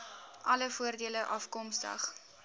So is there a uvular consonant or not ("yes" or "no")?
yes